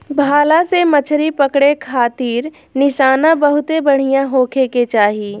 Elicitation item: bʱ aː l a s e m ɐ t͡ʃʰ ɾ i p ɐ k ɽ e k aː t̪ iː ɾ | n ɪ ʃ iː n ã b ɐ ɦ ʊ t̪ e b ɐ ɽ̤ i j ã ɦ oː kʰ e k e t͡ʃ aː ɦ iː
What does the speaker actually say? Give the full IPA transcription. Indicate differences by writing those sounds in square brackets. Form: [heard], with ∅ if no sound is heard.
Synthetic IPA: bʱ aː l a s e m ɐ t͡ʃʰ ɾ i p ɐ k ɽ e [kʰ] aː t̪ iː ɾ | n ɪ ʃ [aː] n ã b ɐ ɦ ʊ t̪ e b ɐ ɽ̤ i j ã ɦ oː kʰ e k e t͡ʃ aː ɦ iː

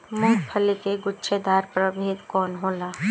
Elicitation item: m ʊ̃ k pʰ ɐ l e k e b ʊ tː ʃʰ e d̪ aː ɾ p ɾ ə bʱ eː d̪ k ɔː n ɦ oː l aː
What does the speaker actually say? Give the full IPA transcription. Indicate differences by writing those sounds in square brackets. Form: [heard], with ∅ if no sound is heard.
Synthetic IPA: m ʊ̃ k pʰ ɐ l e k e [ɡ] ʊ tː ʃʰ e d̪ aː ɾ p ɾ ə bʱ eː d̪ k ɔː n ɦ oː l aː

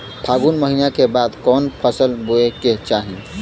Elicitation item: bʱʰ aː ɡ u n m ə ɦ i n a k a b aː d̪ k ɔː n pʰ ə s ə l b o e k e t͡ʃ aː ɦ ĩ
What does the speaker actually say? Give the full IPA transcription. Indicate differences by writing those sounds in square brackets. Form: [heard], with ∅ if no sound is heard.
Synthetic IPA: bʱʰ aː ɡ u n m ə ɦ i n a k [e] b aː d̪ k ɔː n pʰ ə s ə l b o e k e t͡ʃ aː ɦ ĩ

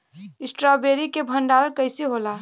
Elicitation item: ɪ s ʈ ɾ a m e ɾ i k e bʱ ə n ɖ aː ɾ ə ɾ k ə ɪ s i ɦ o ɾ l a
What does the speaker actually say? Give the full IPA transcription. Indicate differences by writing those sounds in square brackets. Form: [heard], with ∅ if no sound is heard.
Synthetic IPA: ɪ s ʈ ɾ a [b] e ɾ i k e bʱ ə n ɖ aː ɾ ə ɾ k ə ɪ s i ɦ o [∅] l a

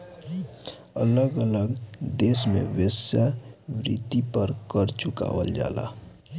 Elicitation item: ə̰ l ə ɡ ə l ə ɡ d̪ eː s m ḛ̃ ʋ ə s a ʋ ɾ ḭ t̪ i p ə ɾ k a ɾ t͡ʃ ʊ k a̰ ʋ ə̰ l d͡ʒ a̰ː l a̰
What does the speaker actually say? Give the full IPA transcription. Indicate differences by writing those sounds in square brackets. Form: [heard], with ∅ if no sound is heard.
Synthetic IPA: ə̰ l ə ɡ ə l ə ɡ d̪ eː s m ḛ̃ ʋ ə s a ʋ ɾ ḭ t̪ i p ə ɾ k [ə] ɾ t͡ʃ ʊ k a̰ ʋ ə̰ l d͡ʒ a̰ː l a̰

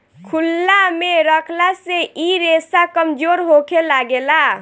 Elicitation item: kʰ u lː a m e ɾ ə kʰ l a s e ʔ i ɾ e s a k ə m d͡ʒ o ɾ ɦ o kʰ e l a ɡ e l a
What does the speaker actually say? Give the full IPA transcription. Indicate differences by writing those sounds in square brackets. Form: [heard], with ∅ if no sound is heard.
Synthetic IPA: kʰ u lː a m e ɾ ə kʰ l a s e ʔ i ɾ e s a k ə m d͡ʒ o ɾ ɦ o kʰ e l a ɡ e l a

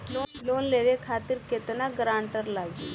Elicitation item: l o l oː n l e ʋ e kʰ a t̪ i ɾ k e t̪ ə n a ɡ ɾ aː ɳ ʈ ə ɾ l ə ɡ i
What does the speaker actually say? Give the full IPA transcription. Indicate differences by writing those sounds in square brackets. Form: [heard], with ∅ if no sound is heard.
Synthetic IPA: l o l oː n l e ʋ e kʰ a t̪ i ɾ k e t̪ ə n a ɡ ɾ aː ɳ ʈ ə ɾ l [a] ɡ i

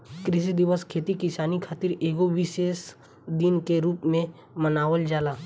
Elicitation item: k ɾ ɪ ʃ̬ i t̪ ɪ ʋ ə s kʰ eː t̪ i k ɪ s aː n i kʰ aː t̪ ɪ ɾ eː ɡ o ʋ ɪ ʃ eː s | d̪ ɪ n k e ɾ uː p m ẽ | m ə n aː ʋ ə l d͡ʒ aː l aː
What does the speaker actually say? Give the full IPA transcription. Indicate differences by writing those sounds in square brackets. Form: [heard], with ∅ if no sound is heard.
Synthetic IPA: k ɾ ɪ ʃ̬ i [d̪] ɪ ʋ ə s kʰ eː t̪ i k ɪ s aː n i kʰ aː t̪ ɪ ɾ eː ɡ o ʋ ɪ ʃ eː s | d̪ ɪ n k e ɾ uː p m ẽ | m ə n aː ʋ ə l d͡ʒ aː l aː

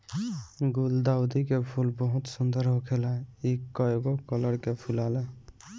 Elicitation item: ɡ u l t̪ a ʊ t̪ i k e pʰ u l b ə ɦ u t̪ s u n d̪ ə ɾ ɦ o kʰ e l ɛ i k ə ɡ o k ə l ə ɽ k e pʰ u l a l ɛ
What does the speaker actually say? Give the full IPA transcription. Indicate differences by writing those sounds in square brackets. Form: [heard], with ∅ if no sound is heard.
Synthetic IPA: ɡ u l [d̪] a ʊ [d̪] i k e pʰ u l b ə ɦ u t̪ s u n d̪ ə ɾ ɦ o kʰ e l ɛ i k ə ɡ o k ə l ə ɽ k e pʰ u l a l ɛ

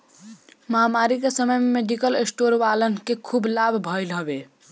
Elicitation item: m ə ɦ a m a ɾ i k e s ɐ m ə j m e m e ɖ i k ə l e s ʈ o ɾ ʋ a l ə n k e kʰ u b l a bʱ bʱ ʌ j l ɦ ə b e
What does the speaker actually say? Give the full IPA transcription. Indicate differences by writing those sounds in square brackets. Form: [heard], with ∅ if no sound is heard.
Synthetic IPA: m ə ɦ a m a ɾ i k e s [ə] m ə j m e m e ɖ i k ə l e s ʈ o ɾ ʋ a l ə n k e kʰ u b l a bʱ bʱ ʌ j l ɦ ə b e

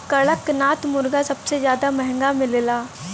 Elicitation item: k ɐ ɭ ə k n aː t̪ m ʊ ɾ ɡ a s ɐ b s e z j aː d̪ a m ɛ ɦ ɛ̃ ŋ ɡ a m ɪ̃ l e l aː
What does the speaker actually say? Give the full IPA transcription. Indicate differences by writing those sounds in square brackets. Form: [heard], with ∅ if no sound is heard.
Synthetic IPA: k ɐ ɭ ə k n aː t̪ m ʊ ɾ ɡ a s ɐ b s e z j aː d̪ a m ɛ ɦ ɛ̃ ŋ ɡ a m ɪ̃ l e l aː

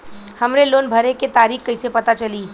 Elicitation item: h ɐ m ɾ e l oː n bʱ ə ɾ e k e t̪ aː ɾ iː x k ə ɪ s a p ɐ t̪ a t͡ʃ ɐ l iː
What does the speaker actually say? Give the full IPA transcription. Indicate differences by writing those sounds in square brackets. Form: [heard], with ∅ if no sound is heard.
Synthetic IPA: h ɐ m ɾ e l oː n bʱ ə ɾ e k e t̪ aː ɾ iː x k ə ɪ s [e] p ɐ t̪ a t͡ʃ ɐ l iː

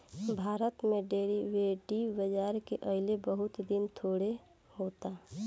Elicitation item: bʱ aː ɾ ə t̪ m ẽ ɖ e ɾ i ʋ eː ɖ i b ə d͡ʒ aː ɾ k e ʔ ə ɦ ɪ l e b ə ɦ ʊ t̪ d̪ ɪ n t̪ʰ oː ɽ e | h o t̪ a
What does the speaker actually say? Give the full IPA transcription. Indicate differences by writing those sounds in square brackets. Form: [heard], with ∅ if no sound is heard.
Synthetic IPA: bʱ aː ɾ ə t̪ m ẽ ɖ e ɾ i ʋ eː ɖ i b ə d͡ʒ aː ɾ k e ʔ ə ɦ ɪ l e b ə ɦ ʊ t̪ d̪ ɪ n t̪ʰ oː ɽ e | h o t̪ a

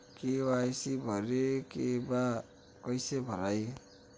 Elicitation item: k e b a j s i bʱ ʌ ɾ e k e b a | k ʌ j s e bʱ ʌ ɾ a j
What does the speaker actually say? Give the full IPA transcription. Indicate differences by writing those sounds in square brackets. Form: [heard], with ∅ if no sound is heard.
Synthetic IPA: k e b a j s i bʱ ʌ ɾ e k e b a | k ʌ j s e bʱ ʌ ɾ a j

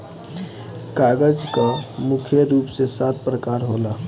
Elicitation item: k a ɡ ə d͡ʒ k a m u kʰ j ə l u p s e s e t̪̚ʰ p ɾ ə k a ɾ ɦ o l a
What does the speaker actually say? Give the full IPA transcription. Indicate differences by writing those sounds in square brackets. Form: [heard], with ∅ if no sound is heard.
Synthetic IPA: k a ɡ ə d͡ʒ k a m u kʰ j ə [ɾ] u p s e s [a] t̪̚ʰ p ɾ ə k a ɾ ɦ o l a

